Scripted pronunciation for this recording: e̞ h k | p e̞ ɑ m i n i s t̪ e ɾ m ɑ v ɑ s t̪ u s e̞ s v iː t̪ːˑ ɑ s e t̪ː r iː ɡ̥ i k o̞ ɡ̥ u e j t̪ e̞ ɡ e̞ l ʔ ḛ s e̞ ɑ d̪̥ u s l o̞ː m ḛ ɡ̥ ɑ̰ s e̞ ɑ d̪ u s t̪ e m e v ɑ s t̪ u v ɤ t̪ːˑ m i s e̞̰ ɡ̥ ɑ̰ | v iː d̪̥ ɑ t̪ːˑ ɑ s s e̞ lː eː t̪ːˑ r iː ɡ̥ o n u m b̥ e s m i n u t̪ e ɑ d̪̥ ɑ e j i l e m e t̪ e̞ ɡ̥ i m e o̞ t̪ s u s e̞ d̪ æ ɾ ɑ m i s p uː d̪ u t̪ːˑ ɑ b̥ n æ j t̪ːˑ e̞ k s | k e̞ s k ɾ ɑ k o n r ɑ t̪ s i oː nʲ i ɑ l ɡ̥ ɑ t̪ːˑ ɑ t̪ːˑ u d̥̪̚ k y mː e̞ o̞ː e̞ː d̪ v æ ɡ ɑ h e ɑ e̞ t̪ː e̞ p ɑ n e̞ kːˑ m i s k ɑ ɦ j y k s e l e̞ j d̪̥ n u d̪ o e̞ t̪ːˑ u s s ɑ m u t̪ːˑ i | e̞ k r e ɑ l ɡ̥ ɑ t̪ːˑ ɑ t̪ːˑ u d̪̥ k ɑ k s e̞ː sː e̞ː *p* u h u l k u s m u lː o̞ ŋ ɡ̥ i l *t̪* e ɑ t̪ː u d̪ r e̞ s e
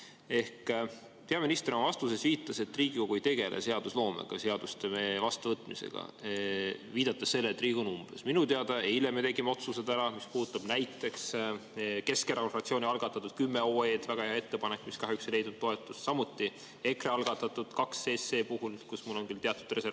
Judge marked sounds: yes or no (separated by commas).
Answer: yes, yes